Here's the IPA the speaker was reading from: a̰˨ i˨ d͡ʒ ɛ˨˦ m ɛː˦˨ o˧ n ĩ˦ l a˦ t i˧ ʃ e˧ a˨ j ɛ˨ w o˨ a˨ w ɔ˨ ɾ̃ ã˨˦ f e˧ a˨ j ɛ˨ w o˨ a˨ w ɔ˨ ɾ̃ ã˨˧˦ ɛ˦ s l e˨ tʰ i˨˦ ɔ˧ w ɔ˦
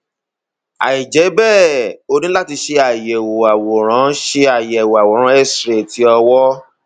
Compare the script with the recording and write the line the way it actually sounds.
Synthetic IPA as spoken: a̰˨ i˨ d͡ʒ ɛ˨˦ b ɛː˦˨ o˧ n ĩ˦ l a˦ t i˧ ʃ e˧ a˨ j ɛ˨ w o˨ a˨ w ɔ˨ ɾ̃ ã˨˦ ʃ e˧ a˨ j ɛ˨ w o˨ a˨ w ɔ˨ ɾ̃ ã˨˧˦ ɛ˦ s ɾ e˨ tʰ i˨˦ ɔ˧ w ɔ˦

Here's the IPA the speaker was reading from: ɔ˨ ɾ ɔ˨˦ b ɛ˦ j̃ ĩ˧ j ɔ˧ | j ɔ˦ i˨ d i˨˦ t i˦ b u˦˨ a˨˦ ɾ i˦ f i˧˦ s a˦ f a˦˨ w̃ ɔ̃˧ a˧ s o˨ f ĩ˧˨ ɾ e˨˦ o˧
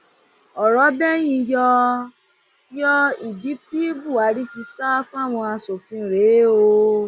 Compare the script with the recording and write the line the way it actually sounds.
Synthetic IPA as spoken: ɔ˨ ɾ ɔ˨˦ b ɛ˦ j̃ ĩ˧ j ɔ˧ | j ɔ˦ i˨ d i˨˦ t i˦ b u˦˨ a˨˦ ɾ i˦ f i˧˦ s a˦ f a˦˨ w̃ ɔ̃˧ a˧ s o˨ f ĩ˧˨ ɾ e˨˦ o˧

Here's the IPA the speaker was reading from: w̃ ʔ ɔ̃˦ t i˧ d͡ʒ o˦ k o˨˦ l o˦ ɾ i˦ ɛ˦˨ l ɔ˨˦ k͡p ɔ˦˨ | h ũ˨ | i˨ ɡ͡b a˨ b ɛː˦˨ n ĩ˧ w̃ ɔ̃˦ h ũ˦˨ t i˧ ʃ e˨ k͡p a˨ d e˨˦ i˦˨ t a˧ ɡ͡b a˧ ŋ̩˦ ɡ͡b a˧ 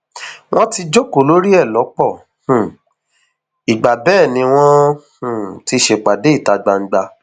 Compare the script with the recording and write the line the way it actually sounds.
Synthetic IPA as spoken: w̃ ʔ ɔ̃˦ t i˧ d͡ʒ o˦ k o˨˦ l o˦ ɾ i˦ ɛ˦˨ l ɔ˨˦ k͡p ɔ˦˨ | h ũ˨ | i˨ ɡ͡b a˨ b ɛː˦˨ n ĩ˧ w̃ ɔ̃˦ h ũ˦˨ t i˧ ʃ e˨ k͡p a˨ d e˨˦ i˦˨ t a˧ ɡ͡b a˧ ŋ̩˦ ɡ͡b a˧

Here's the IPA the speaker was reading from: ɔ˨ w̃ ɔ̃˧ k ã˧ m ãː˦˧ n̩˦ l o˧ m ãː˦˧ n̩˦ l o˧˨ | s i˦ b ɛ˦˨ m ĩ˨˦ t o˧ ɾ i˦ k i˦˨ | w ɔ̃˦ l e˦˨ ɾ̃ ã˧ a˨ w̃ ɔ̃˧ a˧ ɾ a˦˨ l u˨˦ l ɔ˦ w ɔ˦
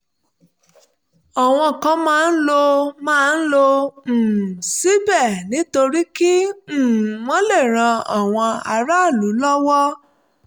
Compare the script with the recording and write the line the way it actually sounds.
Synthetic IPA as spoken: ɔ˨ w̃ ɔ̃˧ k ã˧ m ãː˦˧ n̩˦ l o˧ m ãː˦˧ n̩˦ l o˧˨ | s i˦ b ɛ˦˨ n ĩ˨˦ t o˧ ɾ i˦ k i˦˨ | w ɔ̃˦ l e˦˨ ɾ̃ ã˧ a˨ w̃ ɔ̃˧ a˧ ɾ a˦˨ l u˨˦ l ɔ˦ w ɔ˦

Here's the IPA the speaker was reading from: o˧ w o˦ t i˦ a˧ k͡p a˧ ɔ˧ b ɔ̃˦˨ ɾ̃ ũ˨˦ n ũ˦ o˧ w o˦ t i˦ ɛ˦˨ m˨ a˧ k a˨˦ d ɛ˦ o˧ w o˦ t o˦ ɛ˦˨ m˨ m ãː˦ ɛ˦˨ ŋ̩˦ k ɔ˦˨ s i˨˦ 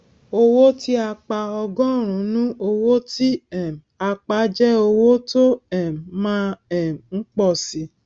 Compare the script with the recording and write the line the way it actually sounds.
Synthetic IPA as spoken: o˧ w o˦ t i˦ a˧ k͡p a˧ ɔ˧ ɡ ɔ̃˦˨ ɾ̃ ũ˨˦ n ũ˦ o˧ w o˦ t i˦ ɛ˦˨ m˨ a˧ k͡p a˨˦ d͡ʒ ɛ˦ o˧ w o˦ t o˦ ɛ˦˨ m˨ m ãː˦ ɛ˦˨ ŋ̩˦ k͡p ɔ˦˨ s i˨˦

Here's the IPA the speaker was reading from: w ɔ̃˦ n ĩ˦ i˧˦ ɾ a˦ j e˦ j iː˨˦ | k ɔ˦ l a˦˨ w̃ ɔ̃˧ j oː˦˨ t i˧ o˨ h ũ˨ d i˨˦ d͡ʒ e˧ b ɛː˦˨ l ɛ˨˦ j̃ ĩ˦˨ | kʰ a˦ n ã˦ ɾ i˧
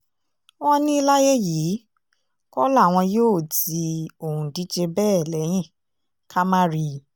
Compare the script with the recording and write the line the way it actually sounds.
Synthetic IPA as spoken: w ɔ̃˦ n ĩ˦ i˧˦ l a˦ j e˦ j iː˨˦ | k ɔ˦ l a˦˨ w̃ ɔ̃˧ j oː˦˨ t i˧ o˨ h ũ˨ d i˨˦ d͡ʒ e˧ b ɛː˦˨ l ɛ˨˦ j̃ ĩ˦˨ | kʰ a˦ m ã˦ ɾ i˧

